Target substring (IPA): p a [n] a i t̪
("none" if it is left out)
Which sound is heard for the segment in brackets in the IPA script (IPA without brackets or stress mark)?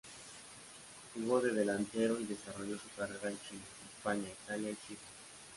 ɲ